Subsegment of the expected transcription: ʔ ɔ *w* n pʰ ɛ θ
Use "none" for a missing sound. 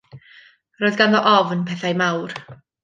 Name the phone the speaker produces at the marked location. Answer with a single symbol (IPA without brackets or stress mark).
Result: v